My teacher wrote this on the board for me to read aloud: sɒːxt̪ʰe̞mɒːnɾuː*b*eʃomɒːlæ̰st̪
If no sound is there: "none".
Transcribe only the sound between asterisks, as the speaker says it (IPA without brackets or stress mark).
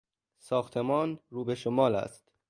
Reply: b